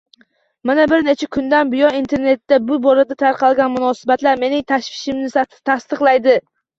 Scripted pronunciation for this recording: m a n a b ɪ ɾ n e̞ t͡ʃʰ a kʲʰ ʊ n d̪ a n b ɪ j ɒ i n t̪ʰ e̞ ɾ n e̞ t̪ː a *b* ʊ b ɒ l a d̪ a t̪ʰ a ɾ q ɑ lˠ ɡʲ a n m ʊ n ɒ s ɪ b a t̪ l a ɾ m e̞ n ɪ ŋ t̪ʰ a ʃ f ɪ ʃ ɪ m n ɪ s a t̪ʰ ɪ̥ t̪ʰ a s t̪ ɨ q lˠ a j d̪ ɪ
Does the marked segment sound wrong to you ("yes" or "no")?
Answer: no